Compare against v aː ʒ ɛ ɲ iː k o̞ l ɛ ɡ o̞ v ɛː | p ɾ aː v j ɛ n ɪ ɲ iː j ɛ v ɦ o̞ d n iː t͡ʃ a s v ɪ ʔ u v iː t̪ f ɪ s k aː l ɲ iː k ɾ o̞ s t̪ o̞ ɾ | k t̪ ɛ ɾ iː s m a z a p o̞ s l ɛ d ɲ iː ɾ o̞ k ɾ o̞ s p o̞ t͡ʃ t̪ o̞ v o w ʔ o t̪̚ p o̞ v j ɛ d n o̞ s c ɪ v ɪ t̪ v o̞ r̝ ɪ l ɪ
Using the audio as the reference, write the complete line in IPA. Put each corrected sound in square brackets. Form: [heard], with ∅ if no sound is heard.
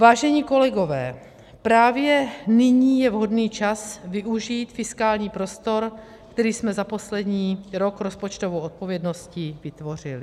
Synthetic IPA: v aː ʒ ɛ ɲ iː k o̞ l ɛ ɡ o̞ v ɛː | p ɾ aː v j ɛ n ɪ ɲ iː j ɛ v ɦ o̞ d n iː t͡ʃ a s v ɪ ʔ u [ʒ] iː t̪ f ɪ s k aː l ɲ iː [p] ɾ o̞ s t̪ o̞ ɾ | k t̪ ɛ ɾ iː s m [ɛ] z a p o̞ s l ɛ d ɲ iː ɾ o̞ k ɾ o̞ s p o̞ t͡ʃ t̪ o̞ v o w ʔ o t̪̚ p o̞ v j ɛ d n o̞ s c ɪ v ɪ t̪ v o̞ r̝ ɪ l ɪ